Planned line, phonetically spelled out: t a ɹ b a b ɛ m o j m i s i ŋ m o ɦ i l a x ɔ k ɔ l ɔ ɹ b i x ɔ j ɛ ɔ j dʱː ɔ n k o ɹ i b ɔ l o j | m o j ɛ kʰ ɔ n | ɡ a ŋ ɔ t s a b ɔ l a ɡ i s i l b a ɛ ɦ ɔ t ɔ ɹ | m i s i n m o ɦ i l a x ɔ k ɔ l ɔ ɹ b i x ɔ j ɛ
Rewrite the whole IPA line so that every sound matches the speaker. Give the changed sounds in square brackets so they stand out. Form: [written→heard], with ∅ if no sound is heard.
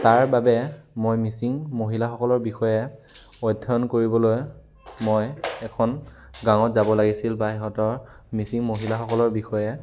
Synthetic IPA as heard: t a ɹ b a b ɛ m o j m i s i ŋ m o ɦ i l a x ɔ k ɔ l ɔ ɹ b i x ɔ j ɛ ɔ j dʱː ɔ n k o ɹ i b ɔ l o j | m o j ɛ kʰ ɔ n | ɡ a ŋ ɔ t [s→z] a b ɔ l a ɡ i s i l b a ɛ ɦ ɔ t ɔ ɹ | m i s i [n→ŋ] m o ɦ i l a x ɔ k ɔ l ɔ ɹ b i x ɔ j ɛ